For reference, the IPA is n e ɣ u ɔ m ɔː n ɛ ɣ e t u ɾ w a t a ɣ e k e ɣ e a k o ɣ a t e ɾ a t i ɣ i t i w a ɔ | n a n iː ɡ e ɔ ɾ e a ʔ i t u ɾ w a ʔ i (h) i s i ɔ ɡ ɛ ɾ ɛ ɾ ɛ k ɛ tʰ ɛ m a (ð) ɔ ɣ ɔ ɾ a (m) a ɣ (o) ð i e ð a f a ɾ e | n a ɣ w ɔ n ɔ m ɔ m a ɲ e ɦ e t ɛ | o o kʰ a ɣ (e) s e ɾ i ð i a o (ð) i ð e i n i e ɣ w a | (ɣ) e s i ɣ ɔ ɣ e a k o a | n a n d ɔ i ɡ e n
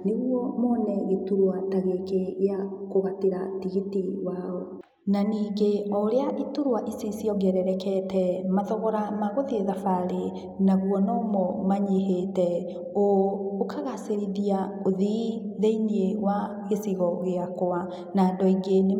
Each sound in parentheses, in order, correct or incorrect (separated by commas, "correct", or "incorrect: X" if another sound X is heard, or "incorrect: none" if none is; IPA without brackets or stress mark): incorrect: s, correct, correct, correct, incorrect: a, correct, correct